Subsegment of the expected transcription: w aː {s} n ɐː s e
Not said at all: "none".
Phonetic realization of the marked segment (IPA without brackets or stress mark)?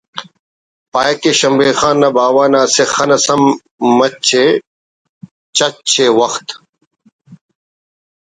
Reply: none